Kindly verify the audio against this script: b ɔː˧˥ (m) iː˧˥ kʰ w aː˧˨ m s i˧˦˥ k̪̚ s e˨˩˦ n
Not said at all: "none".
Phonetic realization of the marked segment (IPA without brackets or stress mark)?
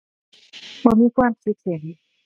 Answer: m